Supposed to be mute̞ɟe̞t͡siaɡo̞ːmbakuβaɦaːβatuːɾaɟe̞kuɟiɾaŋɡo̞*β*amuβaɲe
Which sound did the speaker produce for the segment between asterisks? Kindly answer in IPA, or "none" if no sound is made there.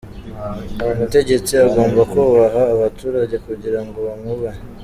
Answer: β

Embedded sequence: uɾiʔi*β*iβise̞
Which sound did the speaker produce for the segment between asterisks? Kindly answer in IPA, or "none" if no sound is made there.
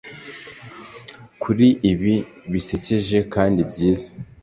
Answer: β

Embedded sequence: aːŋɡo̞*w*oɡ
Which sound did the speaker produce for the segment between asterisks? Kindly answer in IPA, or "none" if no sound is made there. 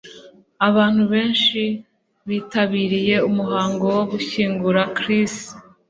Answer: w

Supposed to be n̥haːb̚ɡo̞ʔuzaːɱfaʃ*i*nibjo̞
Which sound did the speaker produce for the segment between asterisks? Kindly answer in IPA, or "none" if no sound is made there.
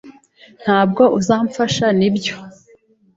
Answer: a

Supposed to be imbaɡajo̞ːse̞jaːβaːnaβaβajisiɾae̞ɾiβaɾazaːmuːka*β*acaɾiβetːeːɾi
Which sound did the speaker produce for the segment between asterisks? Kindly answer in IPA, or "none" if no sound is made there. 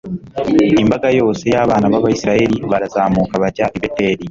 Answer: β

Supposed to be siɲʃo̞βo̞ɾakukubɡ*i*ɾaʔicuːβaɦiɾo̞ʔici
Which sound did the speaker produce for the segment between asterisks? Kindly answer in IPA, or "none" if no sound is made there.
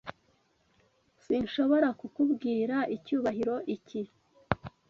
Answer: iː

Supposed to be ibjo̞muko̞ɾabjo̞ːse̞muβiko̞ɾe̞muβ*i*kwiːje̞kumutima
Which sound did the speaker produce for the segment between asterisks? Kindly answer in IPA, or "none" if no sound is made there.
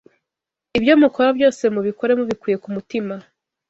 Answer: i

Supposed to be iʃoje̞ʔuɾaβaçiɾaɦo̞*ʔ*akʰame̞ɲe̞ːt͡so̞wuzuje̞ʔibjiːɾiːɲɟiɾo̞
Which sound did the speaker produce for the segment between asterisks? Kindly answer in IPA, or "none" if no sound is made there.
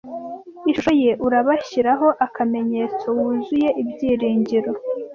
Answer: ʔ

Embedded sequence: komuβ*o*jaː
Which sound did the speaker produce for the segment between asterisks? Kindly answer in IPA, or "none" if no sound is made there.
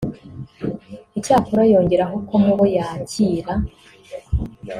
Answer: o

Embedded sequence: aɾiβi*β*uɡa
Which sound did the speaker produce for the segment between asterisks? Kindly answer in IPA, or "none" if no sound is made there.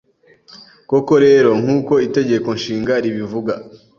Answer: v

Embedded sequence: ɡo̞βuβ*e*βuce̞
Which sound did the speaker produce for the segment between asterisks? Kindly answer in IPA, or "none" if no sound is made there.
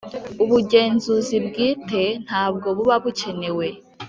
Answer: a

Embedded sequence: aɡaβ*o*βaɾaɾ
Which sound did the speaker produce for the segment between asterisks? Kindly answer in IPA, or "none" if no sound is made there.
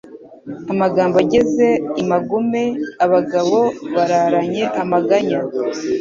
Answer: o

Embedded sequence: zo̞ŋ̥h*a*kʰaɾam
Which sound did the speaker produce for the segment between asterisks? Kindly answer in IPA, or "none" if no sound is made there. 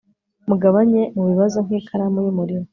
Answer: i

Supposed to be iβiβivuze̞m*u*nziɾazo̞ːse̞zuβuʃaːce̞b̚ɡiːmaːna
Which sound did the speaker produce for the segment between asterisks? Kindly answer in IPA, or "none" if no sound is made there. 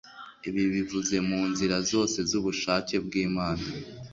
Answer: uː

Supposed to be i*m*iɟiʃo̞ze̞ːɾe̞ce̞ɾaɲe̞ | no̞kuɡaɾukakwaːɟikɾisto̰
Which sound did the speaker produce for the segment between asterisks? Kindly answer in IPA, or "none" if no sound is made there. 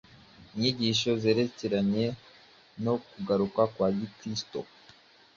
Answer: ɲ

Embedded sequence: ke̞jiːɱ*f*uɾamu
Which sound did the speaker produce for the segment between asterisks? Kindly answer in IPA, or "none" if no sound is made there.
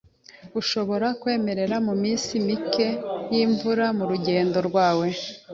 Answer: v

